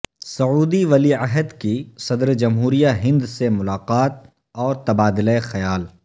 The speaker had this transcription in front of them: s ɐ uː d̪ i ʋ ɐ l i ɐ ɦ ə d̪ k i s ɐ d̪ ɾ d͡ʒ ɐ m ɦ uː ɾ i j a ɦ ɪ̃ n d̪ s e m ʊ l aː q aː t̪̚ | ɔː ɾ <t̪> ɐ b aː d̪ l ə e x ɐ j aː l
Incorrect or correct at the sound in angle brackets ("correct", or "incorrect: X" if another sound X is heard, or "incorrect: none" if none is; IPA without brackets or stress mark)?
correct